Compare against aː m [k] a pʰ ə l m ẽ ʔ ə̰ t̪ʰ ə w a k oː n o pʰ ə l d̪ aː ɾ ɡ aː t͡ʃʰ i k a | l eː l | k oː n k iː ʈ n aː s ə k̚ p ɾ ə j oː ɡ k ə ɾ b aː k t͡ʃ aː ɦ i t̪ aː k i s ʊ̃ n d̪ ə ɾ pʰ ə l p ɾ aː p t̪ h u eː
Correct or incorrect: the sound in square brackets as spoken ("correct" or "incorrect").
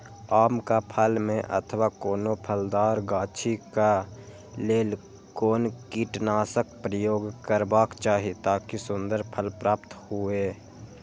correct